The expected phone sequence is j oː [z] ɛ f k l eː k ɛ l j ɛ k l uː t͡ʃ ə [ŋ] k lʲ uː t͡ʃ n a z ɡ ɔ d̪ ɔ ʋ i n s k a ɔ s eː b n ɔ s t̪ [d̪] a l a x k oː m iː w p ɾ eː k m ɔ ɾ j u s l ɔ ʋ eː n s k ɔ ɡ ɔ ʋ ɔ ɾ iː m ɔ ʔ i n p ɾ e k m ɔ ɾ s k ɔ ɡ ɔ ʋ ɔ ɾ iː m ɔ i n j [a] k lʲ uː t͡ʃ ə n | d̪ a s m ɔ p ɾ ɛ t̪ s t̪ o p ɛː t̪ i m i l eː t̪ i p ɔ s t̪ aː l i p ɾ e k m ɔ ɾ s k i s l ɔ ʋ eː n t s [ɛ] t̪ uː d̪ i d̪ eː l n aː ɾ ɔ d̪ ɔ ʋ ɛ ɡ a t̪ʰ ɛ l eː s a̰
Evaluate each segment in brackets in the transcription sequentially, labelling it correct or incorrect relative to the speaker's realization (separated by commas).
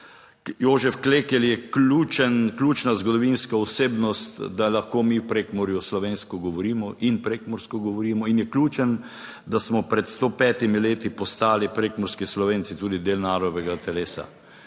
incorrect, incorrect, correct, incorrect, incorrect